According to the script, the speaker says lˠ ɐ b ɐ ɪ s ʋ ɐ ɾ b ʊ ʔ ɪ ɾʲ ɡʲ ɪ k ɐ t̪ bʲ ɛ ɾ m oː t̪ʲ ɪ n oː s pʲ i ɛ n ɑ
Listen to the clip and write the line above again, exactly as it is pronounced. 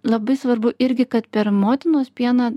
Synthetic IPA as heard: lˠ ɐ b ɐ ɪ s ʋ ɐ ɾ b ʊ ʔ ɪ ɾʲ ɡʲ ɪ k ɐ t̪ pʲ ɛ ɾ m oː t̪ʲ ɪ n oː s pʲ i ɛ n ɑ

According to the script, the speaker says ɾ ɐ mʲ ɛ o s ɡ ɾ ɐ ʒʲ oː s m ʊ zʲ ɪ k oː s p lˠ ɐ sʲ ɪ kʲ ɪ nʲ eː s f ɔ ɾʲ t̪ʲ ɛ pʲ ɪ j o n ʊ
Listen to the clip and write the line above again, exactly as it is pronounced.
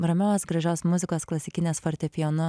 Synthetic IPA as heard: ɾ ɐ mʲ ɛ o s ɡ ɾ ɐ ʒʲ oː s m ʊ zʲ ɪ k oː s k lˠ ɐ sʲ ɪ kʲ ɪ nʲ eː s f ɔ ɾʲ t̪ʲ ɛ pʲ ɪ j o n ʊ

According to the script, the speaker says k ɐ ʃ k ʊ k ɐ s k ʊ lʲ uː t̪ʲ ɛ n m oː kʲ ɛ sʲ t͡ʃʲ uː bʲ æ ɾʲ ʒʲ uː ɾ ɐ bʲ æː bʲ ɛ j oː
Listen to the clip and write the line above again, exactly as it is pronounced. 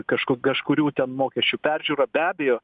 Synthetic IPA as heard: k ɐ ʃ k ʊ k ɐ ʃ k ʊ ɾʲ uː t̪ʲ ɛ n m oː kʲ ɛ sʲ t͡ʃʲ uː pʲ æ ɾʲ ʒʲ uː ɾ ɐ bʲ æː bʲ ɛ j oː

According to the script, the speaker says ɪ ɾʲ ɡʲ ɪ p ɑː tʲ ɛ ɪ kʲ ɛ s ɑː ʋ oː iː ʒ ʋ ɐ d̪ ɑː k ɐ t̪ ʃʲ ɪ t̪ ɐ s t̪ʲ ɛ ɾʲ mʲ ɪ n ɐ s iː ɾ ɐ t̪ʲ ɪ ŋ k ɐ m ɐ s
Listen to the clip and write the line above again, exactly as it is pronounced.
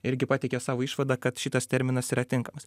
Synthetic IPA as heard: ɪ ɾʲ ɡʲ ɪ p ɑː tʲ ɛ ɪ kʲ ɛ s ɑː ʋ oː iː ʃ ʋ ɐ d̪ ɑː k ɐ t̪ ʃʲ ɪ t̪ ɐ s t̪ʲ ɛ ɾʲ mʲ ɪ n ɐ s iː ɾ ɐ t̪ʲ ɪ ŋ k ɐ m ɐ s

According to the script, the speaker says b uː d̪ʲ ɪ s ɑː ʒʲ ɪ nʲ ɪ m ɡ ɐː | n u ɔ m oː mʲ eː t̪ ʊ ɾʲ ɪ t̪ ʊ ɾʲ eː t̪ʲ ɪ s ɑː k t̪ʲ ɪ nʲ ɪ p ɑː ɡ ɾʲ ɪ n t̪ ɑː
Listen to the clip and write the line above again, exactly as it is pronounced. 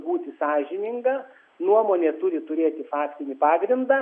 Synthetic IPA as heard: b uː t̪ʲ ɪ s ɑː ʒʲ ɪ nʲ ɪ ŋ ɡ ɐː | n u ɔ m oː nʲ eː t̪ ʊ ɾʲ ɪ t̪ ʊ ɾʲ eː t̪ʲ ɪ f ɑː k t̪ʲ ɪ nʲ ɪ p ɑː ɡ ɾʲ ɪ n d̪ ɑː

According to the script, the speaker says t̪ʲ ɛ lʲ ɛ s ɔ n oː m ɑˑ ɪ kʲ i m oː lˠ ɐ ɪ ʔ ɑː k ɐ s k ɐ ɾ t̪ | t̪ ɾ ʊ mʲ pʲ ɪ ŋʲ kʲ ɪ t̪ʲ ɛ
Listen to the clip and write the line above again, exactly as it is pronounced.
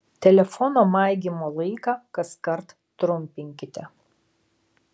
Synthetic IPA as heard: t̪ʲ ɛ lʲ ɛ f ɔ n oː m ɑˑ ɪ ɡʲ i m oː lˠ ɐ ɪ k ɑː k ɐ s k ɐ ɾ t̪ | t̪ ɾ ʊ mʲ pʲ ɪ ŋʲ kʲ ɪ t̪ʲ ɛ

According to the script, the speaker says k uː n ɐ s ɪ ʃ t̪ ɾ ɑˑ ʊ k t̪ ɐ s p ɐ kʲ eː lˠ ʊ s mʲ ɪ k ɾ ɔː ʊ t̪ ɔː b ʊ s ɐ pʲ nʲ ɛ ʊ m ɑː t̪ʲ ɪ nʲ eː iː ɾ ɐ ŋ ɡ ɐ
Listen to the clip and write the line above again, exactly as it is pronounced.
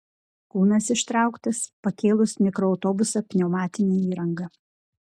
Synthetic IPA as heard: k uː n ɐ s ɪ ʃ t̪ ɾ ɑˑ ʊ k t̪ ɐ s p ɐ kʲ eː lˠ ʊ s mʲ ɪ k ɾ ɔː ʊ t̪ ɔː b ʊ s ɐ pʲ nʲ ɛ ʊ m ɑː t̪ʲ ɪ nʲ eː iː ɾ ɐ ŋ ɡ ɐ

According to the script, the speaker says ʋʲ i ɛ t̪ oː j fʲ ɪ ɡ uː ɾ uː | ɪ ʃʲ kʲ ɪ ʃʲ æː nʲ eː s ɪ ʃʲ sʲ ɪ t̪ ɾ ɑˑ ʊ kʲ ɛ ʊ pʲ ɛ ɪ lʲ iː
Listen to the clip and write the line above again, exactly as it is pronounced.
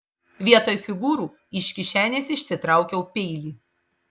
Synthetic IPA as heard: ʋʲ i ɛ t̪ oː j fʲ ɪ ɡ uː ɾ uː | ɪ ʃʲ kʲ ɪ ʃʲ æː nʲ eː s ɪ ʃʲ sʲ ɪ t̪ ɾ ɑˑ ʊ kʲ ɛ ʊ pʲ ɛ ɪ lʲ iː

